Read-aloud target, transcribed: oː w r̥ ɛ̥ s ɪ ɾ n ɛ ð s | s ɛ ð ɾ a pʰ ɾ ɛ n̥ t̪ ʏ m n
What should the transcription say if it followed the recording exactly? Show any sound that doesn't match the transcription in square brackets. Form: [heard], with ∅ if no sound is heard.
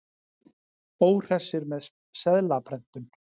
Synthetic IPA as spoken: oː w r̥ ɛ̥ s ɪ ɾ [m] ɛ ð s | s ɛ ð [l] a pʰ ɾ ɛ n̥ t̪ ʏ [∅] n